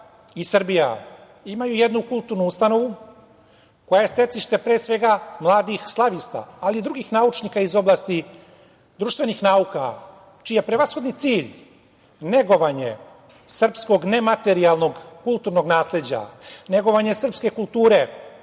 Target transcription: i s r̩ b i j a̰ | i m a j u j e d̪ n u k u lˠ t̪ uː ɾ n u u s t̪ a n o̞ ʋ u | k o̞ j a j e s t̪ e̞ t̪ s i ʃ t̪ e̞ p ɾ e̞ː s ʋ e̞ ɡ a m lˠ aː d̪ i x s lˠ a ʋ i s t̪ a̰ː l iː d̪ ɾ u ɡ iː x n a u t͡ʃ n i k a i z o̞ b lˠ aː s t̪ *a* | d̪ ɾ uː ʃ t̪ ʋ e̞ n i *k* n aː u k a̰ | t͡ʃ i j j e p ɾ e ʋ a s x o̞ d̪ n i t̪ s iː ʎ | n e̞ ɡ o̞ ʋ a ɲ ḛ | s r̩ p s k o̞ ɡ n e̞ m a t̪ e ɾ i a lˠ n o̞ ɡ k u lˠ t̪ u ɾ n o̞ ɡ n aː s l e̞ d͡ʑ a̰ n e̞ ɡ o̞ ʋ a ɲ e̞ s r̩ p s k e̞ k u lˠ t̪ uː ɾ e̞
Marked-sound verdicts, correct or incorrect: incorrect: i, incorrect: x

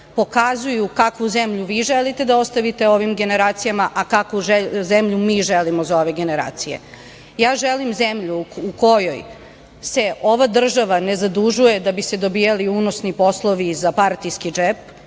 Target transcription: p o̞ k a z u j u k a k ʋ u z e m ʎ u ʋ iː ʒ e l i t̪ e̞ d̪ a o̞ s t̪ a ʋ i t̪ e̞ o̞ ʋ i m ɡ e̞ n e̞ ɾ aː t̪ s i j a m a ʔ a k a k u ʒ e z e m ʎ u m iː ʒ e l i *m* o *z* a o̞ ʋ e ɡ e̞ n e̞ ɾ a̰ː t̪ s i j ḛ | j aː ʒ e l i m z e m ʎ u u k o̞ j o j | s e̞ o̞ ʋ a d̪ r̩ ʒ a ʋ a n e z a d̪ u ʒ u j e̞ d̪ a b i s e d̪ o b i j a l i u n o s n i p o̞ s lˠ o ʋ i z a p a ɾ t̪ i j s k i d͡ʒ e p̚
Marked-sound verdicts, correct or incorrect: correct, correct

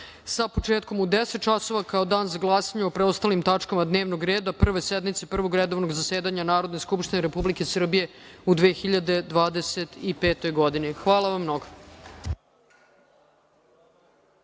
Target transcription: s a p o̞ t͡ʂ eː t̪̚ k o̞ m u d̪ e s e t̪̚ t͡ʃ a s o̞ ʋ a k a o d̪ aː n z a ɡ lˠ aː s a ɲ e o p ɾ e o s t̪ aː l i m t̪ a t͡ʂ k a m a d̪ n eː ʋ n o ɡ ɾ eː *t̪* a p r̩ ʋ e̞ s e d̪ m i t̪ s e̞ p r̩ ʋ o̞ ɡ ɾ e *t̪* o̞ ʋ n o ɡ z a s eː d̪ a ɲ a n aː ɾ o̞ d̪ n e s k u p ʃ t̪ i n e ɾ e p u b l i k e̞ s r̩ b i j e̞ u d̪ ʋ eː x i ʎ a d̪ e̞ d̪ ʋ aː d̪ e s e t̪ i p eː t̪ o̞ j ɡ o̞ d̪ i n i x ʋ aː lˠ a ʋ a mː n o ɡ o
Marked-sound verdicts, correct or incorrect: incorrect: d̪, incorrect: d̪

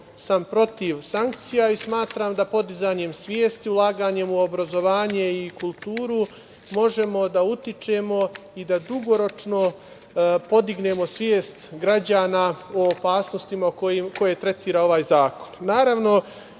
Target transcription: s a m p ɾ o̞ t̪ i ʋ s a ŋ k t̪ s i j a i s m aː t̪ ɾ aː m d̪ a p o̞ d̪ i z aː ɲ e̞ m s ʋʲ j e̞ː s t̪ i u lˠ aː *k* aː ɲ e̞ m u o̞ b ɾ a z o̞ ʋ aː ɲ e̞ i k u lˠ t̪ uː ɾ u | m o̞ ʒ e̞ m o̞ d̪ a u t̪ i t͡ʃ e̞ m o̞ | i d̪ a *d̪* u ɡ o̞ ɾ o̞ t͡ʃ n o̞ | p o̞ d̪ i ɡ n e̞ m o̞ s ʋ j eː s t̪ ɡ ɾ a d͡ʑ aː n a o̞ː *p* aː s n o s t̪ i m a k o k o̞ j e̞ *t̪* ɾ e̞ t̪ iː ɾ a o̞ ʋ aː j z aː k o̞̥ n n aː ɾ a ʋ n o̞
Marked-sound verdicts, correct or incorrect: incorrect: ɡ, correct, correct, correct

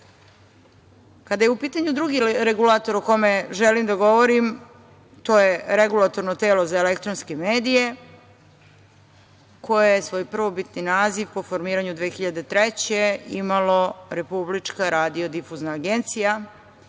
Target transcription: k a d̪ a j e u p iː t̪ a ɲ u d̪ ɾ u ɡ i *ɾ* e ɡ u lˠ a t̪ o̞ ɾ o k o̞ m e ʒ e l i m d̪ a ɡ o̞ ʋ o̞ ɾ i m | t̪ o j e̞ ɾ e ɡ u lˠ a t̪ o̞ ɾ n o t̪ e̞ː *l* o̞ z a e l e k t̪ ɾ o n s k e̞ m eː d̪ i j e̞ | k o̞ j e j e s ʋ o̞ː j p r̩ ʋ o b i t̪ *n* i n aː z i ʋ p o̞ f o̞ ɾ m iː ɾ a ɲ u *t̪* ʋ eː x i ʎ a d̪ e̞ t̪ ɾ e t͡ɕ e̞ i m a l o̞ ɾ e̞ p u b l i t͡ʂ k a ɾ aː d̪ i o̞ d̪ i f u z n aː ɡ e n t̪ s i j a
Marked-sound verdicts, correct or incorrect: correct, correct, correct, incorrect: d̪

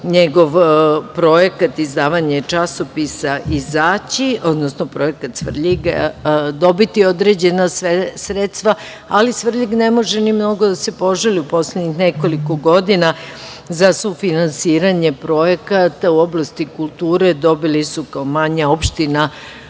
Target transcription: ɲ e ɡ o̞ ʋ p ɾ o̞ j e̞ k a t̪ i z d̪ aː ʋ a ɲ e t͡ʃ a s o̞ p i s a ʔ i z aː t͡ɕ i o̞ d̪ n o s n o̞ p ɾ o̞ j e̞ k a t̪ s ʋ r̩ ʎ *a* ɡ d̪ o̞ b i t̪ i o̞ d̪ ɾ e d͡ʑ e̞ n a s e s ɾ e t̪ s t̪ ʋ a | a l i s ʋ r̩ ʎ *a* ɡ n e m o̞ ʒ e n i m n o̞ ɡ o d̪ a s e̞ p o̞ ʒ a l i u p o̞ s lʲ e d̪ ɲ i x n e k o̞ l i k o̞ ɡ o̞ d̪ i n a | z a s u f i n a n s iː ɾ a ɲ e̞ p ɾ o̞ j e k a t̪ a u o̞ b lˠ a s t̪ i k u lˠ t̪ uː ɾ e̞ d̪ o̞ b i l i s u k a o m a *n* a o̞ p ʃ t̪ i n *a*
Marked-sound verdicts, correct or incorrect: incorrect: i, incorrect: i, incorrect: ɲ, correct

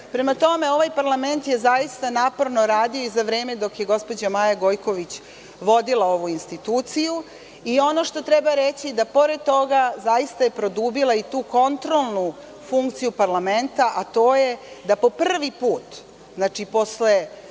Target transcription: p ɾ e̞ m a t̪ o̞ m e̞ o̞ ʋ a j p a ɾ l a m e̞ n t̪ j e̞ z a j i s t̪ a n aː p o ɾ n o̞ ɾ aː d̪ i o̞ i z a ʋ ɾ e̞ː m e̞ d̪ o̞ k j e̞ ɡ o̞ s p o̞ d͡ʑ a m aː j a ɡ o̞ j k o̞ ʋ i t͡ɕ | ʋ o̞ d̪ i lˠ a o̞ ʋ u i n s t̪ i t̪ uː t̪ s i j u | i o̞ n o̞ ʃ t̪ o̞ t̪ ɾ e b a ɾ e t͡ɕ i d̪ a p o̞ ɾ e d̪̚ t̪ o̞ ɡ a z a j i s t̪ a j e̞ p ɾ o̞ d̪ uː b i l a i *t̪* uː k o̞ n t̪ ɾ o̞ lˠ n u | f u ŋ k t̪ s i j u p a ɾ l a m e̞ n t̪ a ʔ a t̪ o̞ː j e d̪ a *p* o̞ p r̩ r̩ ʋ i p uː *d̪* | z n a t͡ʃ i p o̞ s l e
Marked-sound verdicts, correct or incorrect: correct, correct, incorrect: t̪

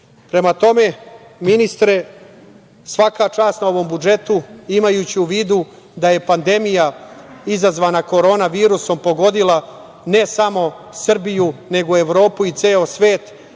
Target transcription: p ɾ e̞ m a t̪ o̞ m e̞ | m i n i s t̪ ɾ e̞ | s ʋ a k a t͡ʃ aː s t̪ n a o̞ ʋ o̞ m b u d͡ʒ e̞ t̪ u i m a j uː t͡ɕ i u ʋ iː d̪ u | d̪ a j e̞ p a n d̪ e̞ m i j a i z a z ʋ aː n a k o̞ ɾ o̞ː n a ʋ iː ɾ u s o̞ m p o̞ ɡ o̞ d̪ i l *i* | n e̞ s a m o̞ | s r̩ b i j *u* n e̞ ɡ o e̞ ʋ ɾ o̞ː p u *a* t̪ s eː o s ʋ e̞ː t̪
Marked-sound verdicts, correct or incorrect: incorrect: a, correct, incorrect: i

